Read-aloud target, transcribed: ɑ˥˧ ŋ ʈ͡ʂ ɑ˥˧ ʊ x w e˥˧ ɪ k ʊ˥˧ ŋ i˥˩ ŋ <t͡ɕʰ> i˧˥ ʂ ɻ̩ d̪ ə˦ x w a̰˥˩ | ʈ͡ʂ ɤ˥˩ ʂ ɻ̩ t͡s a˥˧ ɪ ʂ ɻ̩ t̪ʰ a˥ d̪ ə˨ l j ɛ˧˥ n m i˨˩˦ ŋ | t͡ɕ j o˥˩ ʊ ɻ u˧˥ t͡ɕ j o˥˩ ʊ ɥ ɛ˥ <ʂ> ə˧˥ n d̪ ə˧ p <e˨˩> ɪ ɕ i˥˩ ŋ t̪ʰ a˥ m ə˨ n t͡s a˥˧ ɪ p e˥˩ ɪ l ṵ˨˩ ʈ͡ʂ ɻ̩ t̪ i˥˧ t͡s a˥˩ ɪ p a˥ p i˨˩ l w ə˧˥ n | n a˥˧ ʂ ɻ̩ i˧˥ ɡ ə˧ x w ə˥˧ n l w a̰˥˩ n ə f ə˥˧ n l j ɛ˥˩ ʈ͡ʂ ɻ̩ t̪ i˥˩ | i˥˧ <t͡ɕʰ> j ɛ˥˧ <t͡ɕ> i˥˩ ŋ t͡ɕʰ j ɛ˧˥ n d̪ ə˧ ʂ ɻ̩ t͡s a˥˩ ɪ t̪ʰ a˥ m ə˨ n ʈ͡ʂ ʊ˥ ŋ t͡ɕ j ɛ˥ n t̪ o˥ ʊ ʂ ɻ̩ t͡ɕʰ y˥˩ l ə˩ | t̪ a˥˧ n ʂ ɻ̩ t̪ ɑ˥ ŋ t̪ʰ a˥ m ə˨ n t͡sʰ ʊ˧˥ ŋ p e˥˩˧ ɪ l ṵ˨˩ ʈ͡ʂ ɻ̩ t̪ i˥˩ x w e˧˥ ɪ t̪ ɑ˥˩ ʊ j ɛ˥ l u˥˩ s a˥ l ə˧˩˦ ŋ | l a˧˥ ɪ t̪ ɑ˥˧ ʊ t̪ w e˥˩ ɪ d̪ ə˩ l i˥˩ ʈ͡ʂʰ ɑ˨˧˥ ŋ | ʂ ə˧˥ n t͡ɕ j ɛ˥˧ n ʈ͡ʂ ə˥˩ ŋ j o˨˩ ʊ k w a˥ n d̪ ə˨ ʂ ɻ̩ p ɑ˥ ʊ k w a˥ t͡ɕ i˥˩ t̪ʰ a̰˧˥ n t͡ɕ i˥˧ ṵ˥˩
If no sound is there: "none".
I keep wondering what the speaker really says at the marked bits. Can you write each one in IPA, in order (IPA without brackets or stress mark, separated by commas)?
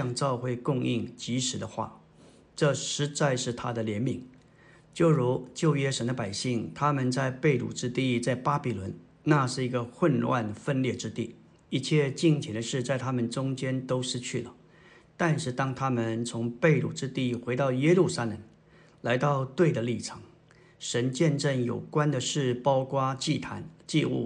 t͡ɕ, ʂ, a˨˩, t͡ɕʰ, t͡ɕ